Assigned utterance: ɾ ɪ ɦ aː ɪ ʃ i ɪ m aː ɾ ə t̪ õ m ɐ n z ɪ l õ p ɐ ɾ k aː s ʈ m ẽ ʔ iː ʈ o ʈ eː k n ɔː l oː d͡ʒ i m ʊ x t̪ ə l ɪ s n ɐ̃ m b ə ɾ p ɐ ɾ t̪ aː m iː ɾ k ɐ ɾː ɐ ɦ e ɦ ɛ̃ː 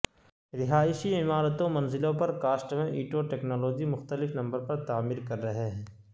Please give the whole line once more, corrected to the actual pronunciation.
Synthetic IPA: ɾ ɪ ɦ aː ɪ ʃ i ɪ m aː ɾ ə t̪ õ m ɐ n z ɪ l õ p ɐ ɾ k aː s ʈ m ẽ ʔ iː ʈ o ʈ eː k n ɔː l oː d͡ʒ i m ʊ x t̪ ə l ɪ f n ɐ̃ m b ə ɾ p ɐ ɾ t̪ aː m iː ɾ k ɐ ɾː ɐ ɦ e ɦ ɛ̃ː